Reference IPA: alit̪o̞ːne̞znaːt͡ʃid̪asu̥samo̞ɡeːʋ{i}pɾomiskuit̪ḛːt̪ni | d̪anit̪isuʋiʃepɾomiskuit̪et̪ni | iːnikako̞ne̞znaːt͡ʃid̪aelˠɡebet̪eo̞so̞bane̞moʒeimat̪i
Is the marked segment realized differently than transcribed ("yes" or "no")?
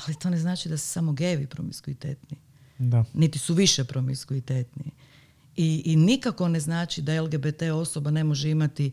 no